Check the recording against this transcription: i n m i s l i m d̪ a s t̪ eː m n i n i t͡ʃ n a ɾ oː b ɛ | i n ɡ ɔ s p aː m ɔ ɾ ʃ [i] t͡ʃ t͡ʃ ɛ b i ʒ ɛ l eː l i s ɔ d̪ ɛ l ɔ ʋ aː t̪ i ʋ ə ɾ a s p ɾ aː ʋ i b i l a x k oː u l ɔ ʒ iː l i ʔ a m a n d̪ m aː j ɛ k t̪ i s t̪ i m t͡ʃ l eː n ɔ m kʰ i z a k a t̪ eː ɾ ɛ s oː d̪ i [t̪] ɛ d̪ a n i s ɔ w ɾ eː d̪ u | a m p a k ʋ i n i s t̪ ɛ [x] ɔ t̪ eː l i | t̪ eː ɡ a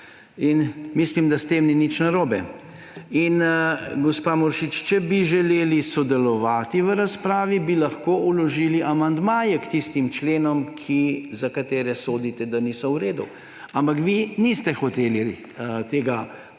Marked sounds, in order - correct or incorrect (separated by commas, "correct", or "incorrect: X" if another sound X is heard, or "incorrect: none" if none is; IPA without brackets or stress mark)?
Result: correct, correct, correct